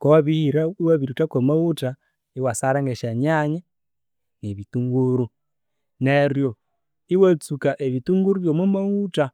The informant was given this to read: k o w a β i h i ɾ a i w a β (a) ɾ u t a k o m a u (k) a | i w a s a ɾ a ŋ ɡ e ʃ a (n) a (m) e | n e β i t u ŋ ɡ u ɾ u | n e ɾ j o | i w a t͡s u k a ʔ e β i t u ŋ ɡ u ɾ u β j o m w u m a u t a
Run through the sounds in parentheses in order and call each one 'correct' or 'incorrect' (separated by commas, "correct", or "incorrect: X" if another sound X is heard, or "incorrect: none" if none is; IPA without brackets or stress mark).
incorrect: i, incorrect: t, incorrect: ɲ, incorrect: ɲ